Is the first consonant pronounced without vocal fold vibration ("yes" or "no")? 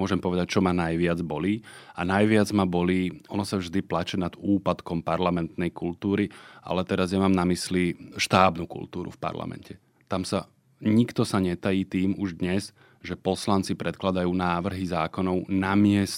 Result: no